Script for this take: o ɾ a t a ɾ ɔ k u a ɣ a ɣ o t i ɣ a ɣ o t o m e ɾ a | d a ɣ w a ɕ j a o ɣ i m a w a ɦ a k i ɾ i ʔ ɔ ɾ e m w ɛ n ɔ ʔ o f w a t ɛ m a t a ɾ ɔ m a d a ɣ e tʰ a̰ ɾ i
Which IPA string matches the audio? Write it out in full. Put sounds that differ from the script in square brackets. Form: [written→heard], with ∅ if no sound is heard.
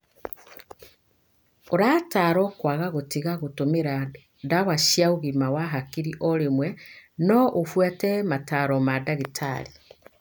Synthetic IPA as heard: o ɾ a t a ɾ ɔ k [u→w] a ɣ a ɣ o t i ɣ a ɣ o t o m e ɾ a | d a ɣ w a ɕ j a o ɣ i m a w a ɦ a k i ɾ i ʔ ɔ ɾ e m w ɛ n ɔ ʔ o f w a t ɛ m a t a ɾ ɔ m a d a ɣ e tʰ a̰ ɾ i